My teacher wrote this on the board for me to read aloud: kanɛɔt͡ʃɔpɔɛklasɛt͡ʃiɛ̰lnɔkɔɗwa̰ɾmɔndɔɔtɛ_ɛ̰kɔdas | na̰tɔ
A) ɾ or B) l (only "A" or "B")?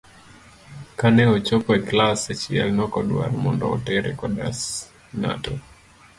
A